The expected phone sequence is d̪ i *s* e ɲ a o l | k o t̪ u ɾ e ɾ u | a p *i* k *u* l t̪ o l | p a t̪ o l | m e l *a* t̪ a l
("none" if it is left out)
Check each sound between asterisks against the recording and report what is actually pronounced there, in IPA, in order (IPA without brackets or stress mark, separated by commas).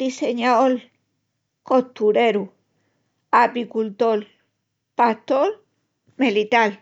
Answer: s, i, u, i